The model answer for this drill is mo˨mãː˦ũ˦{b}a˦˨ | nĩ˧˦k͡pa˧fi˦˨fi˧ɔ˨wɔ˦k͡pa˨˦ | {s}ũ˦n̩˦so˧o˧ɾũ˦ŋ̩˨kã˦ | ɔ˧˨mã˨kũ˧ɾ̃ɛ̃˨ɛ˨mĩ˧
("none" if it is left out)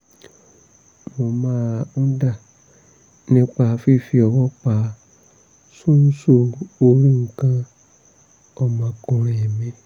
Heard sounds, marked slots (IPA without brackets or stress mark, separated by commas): d, s